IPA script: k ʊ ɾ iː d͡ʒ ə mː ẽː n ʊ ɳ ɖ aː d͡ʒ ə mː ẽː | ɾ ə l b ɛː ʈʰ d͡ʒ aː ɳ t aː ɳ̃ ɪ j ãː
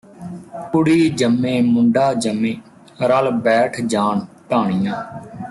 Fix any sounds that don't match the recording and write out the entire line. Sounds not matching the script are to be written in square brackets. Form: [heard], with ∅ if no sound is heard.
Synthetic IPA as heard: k ʊ [ɽ] iː d͡ʒ ə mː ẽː [m] ʊ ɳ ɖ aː d͡ʒ ə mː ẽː | ɾ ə l b ɛː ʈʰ d͡ʒ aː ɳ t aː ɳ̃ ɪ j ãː